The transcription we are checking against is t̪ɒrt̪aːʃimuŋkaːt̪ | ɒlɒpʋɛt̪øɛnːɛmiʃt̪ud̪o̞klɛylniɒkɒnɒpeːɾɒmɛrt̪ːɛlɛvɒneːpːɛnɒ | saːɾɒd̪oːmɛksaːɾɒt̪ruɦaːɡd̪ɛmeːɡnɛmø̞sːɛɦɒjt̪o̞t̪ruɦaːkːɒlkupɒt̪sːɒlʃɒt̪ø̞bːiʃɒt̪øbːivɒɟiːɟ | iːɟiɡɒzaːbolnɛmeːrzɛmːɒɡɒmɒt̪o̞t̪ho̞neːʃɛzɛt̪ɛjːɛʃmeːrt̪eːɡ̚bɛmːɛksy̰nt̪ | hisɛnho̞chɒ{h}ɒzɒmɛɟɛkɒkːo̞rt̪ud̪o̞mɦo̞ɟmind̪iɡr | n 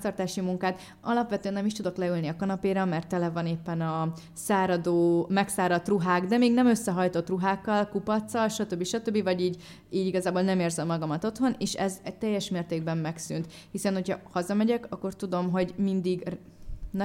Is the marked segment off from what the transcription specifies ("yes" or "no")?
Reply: no